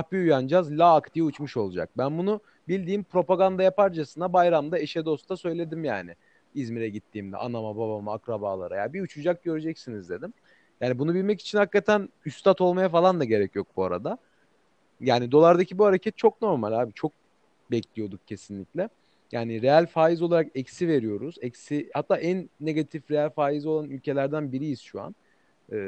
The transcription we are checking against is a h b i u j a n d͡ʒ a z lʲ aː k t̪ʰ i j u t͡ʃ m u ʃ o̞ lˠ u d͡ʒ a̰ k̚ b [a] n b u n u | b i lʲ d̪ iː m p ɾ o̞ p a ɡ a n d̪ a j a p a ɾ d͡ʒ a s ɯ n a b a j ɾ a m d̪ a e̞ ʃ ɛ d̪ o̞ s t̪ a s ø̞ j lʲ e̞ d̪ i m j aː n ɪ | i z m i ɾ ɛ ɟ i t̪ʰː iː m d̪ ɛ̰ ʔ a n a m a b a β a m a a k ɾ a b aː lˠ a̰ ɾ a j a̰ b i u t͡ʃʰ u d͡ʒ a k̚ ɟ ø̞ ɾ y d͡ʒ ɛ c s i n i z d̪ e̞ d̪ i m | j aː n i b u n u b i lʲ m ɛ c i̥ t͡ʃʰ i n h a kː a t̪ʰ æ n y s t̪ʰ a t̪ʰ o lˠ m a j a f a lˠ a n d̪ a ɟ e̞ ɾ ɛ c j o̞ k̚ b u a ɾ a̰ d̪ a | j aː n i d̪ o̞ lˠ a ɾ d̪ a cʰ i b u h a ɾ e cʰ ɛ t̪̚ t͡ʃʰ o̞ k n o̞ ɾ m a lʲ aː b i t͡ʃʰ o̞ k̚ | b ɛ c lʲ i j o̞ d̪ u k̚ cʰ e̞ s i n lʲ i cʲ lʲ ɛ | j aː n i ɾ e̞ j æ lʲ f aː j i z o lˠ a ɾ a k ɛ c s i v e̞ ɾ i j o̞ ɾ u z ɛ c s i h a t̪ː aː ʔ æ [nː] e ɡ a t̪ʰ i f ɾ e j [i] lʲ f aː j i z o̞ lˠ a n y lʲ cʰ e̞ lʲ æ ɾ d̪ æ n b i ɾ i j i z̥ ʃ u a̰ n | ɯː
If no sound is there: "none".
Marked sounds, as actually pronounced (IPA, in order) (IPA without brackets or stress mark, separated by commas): æ, nː, æ